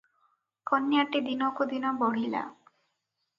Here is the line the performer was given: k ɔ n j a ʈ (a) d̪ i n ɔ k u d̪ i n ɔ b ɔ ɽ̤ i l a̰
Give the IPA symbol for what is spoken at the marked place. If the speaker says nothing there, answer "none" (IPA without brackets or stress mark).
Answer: i